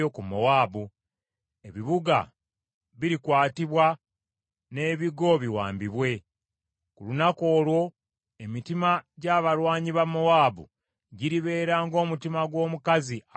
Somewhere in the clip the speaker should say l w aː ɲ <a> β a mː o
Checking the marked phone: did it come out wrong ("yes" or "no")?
yes